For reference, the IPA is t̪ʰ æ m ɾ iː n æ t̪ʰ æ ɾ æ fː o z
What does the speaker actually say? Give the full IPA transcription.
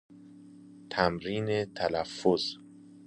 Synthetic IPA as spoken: t̪ʰ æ m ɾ iː n e t̪ʰ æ l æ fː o z